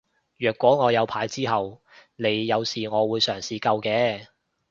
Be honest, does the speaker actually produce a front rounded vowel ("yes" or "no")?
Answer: yes